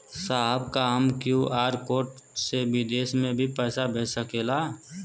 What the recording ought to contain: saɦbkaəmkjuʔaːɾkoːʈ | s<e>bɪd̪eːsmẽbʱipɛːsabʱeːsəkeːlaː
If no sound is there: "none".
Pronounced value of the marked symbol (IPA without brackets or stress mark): e